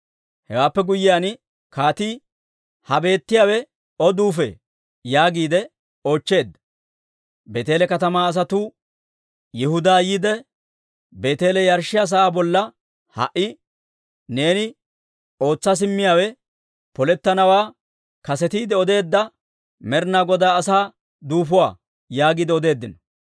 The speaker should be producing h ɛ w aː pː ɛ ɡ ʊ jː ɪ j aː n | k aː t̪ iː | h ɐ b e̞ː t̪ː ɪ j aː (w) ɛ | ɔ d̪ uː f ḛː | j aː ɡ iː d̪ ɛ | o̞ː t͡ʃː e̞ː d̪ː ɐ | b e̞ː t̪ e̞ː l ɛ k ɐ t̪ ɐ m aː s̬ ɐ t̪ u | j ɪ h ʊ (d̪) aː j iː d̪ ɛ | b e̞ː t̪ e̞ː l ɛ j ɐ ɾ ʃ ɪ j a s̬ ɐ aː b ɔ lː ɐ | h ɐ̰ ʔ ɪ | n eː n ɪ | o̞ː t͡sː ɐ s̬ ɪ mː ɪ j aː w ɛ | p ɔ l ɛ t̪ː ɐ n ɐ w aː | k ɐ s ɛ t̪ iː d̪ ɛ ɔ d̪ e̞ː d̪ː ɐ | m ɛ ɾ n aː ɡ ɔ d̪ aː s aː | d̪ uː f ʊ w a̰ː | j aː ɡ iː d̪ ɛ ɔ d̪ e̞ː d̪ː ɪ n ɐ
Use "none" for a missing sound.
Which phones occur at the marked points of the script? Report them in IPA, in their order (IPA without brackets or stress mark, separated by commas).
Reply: w, d̪